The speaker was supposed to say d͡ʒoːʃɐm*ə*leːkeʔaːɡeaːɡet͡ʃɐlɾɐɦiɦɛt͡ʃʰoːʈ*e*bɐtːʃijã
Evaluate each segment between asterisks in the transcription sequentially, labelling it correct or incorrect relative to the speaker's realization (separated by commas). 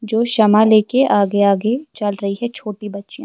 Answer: incorrect, incorrect